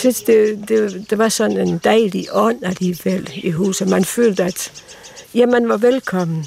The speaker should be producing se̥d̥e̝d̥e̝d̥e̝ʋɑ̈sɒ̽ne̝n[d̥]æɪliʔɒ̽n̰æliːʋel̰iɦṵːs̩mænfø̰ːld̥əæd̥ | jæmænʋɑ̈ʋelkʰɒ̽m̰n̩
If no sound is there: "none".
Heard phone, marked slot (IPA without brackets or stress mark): d̥